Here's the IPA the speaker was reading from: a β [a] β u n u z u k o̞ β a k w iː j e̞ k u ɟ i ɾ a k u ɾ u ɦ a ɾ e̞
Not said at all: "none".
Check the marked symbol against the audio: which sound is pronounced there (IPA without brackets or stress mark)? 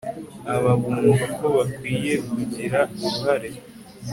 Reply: a